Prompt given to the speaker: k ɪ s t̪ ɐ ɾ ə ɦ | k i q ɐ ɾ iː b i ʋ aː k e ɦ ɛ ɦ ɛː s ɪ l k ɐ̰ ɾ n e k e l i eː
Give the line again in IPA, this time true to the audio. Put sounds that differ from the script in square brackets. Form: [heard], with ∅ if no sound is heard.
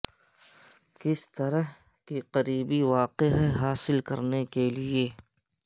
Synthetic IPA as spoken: k ɪ s t̪ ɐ ɾ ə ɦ | k i q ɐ ɾ iː b i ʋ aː [q] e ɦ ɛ ɦ [aː] s ɪ l k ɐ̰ ɾ n e k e l i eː